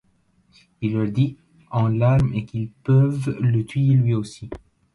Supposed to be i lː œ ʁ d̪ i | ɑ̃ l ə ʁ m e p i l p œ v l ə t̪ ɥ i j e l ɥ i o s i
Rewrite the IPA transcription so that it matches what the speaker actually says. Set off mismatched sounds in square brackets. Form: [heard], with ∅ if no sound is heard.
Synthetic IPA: i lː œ ʁ d̪ i | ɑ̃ l [a] ʁ m e [k] i l p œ v l ə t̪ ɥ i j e l ɥ i o s i